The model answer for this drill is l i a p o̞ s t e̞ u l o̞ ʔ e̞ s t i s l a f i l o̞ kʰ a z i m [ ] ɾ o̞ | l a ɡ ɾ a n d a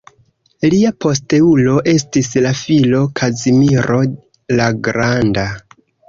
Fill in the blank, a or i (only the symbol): i